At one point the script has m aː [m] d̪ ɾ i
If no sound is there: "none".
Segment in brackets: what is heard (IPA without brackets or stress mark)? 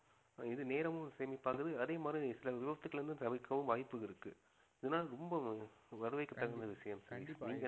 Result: none